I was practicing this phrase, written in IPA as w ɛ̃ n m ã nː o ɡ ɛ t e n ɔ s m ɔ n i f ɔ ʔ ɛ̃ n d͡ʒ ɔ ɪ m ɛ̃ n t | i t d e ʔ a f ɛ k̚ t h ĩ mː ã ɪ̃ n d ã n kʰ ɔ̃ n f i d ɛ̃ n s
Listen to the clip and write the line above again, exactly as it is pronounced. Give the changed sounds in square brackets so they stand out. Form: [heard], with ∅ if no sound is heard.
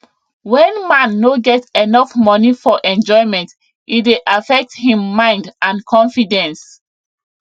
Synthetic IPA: w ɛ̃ n m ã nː o ɡ ɛ t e n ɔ [f] m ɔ n i f ɔ ʔ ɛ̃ n d͡ʒ ɔ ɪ m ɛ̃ n t | i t d e ʔ a f ɛ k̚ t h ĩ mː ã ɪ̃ n d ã n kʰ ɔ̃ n f i d ɛ̃ n s